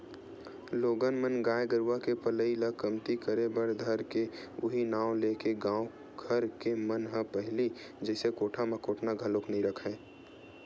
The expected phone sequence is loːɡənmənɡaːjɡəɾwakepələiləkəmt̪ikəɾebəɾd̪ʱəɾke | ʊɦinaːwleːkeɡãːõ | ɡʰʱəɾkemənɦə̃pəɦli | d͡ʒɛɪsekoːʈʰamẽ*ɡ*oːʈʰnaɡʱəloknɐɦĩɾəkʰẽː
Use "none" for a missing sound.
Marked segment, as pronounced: k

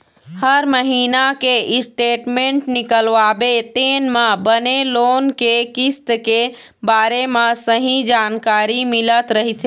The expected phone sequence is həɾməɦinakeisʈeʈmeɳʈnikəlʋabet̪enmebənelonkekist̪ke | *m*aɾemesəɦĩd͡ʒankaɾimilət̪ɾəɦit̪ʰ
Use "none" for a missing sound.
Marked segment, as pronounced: b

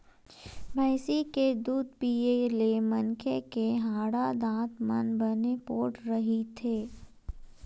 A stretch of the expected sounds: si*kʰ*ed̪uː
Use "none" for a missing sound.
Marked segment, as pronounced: k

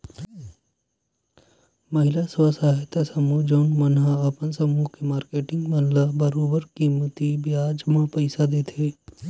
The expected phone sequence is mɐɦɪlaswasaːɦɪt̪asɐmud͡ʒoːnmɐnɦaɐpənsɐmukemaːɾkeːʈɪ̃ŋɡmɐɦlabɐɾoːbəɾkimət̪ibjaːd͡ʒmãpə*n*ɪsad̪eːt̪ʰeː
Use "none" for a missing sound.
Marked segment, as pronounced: none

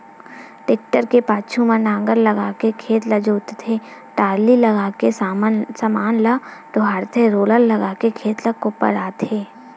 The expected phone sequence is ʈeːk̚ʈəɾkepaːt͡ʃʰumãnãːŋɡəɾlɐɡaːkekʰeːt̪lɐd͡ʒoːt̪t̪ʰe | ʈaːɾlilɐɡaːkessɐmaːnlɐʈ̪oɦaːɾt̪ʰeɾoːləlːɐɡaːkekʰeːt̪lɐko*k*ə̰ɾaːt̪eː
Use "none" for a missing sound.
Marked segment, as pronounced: p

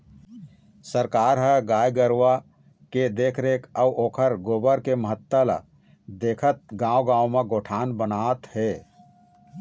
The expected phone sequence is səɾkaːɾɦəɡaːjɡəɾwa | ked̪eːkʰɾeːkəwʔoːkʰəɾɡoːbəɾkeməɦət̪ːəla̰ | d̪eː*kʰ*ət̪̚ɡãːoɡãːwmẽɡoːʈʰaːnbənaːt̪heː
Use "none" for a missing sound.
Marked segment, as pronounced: kʰ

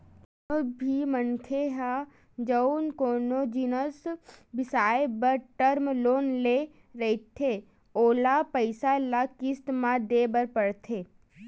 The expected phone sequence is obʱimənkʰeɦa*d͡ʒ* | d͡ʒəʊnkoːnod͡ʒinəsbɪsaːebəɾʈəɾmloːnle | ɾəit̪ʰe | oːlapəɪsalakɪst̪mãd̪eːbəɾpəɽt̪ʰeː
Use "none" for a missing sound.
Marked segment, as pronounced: none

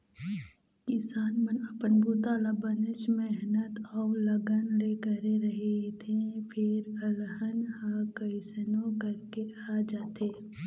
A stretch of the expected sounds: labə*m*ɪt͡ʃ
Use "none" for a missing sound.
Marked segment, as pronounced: n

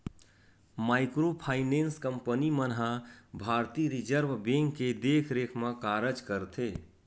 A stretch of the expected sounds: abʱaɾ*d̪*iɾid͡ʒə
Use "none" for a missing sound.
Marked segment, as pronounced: t̪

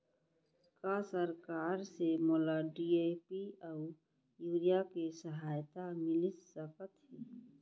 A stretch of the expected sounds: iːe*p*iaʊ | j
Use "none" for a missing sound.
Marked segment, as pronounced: p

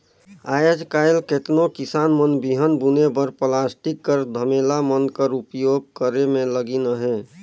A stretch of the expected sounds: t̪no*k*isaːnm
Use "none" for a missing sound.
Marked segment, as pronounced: k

